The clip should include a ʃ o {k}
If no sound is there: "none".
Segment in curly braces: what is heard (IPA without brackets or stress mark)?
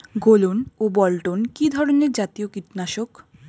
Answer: k